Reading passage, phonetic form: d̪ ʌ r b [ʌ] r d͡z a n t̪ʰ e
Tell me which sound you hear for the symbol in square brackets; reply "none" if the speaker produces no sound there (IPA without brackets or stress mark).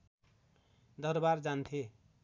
a